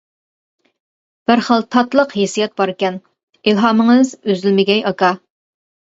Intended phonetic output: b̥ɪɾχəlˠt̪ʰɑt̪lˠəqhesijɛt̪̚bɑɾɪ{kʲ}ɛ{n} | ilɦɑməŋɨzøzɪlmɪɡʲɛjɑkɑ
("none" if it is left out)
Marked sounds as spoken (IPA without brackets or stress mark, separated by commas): kʲ, n